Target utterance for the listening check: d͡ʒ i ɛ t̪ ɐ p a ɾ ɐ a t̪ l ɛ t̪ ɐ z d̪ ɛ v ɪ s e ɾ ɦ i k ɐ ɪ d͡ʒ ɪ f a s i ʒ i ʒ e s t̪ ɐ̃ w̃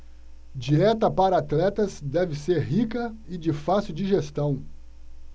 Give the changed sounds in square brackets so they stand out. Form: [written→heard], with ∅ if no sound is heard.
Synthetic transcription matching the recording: d͡ʒ i ɛ t̪ ɐ p a ɾ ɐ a t̪ l ɛ t̪ ɐ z d̪ ɛ v ɪ s e ɾ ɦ i k ɐ ɪ d͡ʒ ɪ f a s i [ʒ→d͡ʒ] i ʒ e s t̪ ɐ̃ w̃